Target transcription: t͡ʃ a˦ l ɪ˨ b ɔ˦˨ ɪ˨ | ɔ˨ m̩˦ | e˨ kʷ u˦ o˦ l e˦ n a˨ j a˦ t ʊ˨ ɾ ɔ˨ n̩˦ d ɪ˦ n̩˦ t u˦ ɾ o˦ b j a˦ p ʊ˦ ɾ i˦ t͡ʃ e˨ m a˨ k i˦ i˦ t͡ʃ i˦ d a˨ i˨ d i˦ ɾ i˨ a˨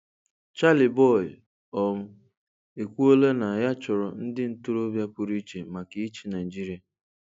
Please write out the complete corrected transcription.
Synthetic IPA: t͡ʃ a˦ l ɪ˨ b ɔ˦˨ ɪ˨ | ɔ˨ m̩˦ | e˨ kʷ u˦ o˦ l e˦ n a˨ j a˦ t͡ʃ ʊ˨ ɾ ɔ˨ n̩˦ d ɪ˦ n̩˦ t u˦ ɾ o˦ b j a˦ p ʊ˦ ɾ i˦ t͡ʃ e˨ m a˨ k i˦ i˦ t͡ʃ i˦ n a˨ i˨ d͡ʒ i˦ ɾ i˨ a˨

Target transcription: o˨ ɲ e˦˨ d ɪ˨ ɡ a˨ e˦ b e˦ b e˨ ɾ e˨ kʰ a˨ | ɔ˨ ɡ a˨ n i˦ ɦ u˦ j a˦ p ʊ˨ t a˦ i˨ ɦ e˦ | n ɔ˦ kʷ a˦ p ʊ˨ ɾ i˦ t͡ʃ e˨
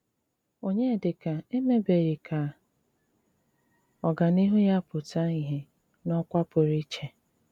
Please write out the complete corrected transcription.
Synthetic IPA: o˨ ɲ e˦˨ d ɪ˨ k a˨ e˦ m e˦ b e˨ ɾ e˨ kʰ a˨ | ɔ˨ ɡ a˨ n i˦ ɦ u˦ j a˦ p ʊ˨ t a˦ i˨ ɦ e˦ | n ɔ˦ kʷ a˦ p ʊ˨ ɾ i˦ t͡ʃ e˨

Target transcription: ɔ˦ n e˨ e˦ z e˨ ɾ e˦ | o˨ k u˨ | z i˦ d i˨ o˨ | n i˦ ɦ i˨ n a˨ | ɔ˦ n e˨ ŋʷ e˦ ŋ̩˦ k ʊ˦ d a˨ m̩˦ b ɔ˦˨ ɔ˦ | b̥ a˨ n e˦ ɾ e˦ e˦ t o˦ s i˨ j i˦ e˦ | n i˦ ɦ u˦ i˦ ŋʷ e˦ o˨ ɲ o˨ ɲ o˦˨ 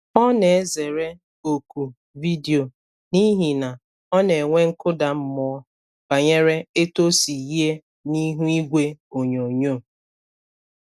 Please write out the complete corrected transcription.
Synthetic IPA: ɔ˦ n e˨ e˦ z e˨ ɾ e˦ | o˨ k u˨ | v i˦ d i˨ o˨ | n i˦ ɦ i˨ n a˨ | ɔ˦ n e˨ ŋʷ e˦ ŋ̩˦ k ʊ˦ d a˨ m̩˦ m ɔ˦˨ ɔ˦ | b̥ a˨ ɲ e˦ ɾ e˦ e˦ t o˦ s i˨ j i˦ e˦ | n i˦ ɦ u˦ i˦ ɡʷ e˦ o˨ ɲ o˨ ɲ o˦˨

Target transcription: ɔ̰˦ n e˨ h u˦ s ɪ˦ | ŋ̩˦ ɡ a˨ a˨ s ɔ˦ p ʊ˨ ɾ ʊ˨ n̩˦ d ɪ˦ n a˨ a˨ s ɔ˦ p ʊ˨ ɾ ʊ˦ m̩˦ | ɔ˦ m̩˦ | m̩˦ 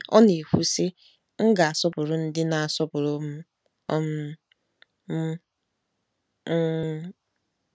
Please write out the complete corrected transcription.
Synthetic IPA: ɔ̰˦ n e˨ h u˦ s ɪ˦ | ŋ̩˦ ɡ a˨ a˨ s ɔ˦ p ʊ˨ ɾ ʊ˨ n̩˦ d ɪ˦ n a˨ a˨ s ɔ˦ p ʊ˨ ɾ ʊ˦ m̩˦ | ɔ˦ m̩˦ | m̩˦

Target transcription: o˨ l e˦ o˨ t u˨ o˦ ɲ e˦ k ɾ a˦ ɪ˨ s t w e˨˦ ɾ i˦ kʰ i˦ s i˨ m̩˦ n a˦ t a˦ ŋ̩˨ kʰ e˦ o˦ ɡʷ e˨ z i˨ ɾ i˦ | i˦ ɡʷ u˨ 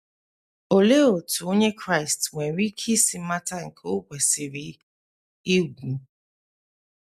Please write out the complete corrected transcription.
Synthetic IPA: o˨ l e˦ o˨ t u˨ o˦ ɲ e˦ k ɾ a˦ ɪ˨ s t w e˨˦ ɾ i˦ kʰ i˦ s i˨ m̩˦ m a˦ t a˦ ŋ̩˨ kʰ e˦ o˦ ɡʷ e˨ s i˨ ɾ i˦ | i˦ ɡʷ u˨

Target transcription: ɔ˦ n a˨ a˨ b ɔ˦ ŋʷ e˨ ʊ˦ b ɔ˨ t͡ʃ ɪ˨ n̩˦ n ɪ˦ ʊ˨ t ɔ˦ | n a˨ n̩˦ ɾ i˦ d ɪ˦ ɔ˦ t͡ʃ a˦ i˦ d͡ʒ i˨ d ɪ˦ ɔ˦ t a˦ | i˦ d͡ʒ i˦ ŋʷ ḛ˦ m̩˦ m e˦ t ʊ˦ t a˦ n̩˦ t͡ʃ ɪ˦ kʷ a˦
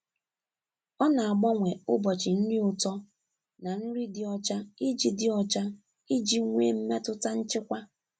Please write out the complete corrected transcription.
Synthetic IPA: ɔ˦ n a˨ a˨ ɡ͡b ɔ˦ ŋʷ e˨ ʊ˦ b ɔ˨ t͡ʃ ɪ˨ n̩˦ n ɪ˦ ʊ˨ t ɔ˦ | n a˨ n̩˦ ɾ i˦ d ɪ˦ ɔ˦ t͡ʃ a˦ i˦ d͡ʒ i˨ d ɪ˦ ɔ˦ t͡ʃ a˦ | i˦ d͡ʒ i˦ ŋʷ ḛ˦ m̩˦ m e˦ t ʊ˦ t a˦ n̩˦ t͡ʃ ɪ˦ kʷ a˦

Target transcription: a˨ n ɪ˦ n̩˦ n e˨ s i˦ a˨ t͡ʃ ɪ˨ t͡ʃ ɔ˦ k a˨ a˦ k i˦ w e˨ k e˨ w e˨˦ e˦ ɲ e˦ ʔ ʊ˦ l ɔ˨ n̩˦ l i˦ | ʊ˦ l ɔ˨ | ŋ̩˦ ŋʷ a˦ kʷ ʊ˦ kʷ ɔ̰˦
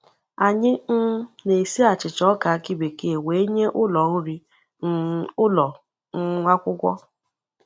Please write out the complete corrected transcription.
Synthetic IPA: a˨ ɲ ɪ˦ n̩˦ n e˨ s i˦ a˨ t͡ʃ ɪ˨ t͡ʃ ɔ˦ k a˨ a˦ k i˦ b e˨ k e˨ w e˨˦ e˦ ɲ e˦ ʔ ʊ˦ l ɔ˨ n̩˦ ɾ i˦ | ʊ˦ l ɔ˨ | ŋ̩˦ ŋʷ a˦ kʷ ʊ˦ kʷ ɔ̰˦

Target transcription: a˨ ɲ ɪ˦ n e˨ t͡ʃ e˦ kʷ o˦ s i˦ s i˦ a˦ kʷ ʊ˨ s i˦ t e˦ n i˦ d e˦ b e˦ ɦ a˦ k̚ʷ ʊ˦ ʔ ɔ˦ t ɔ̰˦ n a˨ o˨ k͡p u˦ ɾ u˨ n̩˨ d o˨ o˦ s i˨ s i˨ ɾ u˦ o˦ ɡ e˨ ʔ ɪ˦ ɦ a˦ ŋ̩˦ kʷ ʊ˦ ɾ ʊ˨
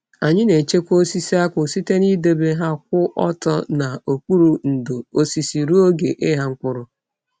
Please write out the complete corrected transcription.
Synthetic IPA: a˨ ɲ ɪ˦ n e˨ t͡ʃ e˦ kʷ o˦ s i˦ s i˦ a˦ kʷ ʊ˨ s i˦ t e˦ n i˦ d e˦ b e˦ ɦ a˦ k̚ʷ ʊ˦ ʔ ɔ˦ t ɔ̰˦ n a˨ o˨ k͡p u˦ ɾ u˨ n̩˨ d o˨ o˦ s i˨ s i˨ ɾ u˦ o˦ ɡ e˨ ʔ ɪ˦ ɦ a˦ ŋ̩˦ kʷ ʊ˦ ɾ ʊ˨

